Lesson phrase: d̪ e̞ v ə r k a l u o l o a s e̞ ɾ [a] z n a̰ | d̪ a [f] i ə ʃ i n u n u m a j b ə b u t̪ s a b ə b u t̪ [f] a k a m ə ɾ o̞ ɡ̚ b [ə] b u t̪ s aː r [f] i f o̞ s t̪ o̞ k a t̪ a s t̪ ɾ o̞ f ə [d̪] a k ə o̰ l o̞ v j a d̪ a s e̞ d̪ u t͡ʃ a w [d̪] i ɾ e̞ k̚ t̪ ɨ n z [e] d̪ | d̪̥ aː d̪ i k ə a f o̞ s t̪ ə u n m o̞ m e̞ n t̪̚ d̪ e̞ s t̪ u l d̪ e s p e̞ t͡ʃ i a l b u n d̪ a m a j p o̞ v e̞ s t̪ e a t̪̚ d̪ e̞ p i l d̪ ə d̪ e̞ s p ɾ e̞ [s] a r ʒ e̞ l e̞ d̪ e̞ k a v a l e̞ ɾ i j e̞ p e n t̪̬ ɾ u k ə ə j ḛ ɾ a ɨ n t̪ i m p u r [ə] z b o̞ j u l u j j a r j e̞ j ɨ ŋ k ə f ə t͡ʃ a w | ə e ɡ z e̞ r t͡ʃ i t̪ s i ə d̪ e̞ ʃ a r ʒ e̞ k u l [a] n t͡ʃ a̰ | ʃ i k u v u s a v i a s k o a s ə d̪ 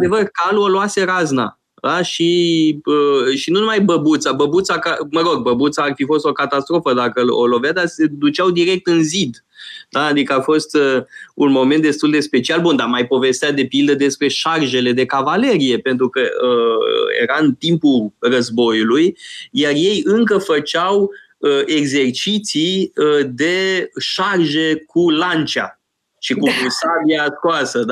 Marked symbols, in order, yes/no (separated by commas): yes, no, no, yes, yes, yes, yes, no, no, yes, yes